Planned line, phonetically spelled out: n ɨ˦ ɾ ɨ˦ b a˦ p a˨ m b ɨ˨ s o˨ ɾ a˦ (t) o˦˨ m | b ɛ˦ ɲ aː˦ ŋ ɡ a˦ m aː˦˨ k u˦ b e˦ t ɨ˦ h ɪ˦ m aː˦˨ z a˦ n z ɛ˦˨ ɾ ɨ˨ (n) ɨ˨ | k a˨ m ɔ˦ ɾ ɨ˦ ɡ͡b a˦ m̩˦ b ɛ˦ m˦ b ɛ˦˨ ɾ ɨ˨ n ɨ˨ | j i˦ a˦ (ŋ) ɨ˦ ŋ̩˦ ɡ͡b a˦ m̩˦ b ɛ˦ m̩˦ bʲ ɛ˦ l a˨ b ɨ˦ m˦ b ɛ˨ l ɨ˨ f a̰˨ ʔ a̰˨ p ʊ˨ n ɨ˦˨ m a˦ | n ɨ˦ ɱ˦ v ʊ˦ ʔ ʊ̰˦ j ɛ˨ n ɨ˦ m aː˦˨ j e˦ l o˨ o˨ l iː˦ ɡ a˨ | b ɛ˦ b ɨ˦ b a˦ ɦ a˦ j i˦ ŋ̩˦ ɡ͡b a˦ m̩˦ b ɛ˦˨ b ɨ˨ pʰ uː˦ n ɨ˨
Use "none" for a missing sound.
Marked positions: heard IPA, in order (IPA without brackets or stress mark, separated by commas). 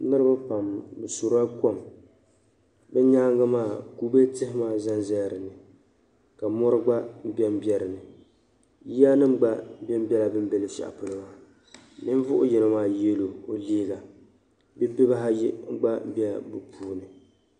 k, n, n